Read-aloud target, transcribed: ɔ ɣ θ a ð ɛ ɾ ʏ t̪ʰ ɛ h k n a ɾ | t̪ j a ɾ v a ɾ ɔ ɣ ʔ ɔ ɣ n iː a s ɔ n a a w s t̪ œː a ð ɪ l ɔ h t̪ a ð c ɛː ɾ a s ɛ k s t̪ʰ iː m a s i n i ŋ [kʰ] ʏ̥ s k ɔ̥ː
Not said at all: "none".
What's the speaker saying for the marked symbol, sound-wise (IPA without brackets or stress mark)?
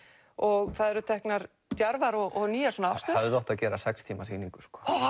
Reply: k